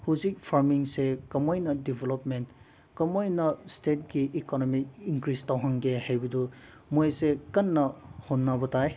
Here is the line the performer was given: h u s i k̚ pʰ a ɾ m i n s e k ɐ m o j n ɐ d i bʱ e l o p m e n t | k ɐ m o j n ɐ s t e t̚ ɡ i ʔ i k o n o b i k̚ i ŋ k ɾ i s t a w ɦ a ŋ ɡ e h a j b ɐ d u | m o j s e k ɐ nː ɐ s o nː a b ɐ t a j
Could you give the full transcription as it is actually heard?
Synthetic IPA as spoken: h u z i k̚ pʰ a ɾ m i ŋ s e k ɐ m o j n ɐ d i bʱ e l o p m e n t | k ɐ m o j n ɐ s t e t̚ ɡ i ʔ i k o n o m i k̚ i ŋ k ɾ i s t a w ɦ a ŋ ɡ e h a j b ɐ d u | m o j s e k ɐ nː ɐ h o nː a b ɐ t a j